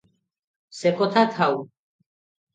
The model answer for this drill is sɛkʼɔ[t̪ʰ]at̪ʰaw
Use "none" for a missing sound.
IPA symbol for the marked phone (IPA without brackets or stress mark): t̪ʰ